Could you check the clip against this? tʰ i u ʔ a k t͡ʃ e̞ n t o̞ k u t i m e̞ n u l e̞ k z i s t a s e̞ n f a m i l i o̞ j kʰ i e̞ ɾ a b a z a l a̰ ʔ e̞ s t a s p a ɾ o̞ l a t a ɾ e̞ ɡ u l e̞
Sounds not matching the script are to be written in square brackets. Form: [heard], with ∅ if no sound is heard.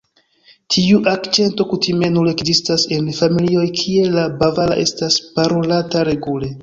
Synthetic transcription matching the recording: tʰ i u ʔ a k t͡ʃ e̞ n t o̞ k u t i m e̞ n u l e̞ k z i s t a s e̞ n f a m i l i o̞ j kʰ i e̞ [l] a b a [v] a l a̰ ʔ e̞ s t a s p a ɾ o̞ l a t a ɾ e̞ ɡ u l e̞